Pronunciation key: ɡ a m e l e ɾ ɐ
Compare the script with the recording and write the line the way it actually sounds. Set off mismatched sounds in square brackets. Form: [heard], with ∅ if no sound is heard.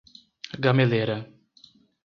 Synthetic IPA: ɡ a m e l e ɾ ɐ